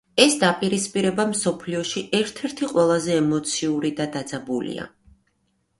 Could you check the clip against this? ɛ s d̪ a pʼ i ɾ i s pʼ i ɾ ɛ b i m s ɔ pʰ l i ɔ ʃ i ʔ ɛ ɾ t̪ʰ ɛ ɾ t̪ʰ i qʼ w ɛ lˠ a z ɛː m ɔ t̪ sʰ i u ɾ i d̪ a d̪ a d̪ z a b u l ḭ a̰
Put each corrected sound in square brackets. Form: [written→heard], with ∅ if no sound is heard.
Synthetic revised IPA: ɛ s d̪ a pʼ i ɾ i s pʼ i ɾ ɛ b [i→a] m s ɔ pʰ l i ɔ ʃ i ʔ ɛ ɾ t̪ʰ ɛ ɾ t̪ʰ i qʼ w ɛ lˠ a z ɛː m ɔ t̪ sʰ i u ɾ i d̪ a d̪ a d̪ z a b u l ḭ a̰